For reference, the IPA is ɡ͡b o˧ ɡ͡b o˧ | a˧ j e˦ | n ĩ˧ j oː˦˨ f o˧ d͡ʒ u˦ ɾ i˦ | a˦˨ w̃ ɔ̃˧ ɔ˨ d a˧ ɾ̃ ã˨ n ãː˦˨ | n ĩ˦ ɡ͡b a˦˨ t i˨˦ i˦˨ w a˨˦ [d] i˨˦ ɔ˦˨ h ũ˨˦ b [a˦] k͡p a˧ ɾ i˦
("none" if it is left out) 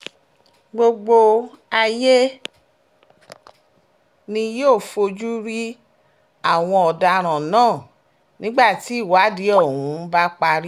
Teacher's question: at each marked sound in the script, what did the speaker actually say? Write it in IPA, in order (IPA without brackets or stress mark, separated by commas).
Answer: d, a˦